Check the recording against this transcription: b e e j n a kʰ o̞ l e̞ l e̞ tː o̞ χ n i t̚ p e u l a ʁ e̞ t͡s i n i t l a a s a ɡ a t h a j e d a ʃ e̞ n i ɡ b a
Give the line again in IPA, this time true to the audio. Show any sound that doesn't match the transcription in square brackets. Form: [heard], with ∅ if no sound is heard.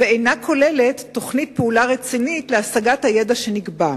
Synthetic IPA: [v] e e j n a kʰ o̞ l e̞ l e̞ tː o̞ χ n i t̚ p e u l a ʁ e̞ t͡s i n i t l [e] a s a ɡ a t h a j e d a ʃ e̞ n i ɡ b a